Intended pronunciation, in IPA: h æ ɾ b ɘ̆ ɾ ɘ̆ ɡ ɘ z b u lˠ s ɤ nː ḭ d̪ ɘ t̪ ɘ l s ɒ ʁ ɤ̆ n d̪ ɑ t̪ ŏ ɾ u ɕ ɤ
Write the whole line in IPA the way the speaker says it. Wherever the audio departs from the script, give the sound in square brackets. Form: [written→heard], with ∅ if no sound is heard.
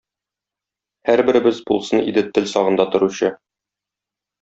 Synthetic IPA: h æ ɾ b ɘ̆ ɾ ɘ̆ [ɡ→b] ɘ z b u lˠ s ɤ [nː→n] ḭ d̪ ɘ t̪ ɘ l s ɒ ʁ ɤ̆ n d̪ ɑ t̪ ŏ ɾ u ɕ ɤ